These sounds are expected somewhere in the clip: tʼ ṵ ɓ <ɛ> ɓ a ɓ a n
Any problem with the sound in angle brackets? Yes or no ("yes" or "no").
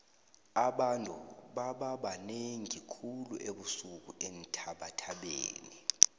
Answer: yes